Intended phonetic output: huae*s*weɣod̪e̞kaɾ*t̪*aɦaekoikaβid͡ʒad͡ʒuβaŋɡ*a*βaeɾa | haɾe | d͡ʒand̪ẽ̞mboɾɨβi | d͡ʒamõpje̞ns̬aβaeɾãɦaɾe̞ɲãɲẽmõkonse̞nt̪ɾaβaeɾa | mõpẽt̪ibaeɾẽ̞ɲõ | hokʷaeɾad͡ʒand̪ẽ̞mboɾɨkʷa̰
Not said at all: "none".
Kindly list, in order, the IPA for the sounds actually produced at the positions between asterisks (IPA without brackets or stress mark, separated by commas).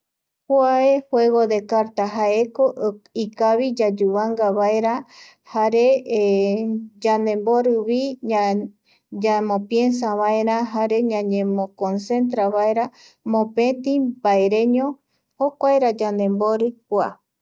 h, t̪, a